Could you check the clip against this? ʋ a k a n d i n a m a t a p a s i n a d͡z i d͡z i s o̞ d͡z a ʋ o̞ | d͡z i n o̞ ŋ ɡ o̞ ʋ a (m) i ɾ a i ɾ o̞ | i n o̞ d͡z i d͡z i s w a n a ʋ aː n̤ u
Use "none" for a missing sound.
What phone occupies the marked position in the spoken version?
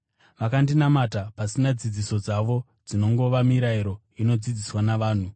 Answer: m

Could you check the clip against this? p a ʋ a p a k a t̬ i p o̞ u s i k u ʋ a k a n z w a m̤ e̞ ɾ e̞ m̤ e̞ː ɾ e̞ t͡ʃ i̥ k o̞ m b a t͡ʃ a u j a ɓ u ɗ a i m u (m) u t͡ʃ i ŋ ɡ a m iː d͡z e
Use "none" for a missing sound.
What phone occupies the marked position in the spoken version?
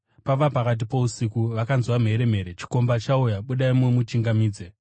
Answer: m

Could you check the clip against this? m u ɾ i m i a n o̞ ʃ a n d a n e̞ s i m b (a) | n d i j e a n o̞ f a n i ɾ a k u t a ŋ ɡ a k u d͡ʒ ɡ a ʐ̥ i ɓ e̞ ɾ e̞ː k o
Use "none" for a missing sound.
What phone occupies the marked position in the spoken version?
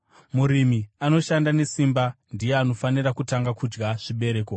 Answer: a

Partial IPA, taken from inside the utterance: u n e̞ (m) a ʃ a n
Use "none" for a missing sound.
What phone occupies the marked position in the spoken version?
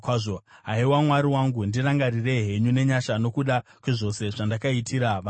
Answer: ɲ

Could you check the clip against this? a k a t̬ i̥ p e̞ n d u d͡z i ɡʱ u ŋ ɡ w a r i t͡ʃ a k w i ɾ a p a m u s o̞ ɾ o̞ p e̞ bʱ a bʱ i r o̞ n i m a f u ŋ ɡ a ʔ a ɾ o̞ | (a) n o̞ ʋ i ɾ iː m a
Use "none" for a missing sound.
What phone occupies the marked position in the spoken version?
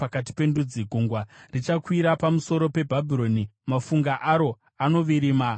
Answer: a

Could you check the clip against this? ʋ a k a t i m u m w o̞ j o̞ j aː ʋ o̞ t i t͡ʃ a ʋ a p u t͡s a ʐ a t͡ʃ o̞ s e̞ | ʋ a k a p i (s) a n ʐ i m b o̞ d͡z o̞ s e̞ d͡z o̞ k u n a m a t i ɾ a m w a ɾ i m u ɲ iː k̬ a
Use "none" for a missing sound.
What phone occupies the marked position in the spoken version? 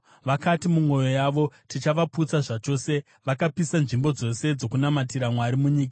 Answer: s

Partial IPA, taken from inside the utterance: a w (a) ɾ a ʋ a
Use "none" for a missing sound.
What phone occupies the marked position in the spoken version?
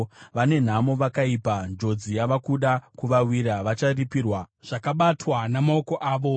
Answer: i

